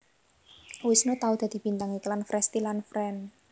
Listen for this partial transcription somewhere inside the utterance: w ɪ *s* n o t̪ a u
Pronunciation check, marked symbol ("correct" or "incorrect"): correct